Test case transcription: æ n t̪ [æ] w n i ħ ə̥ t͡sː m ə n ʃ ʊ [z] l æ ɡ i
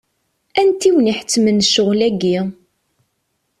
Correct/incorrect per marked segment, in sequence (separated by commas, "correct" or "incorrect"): incorrect, incorrect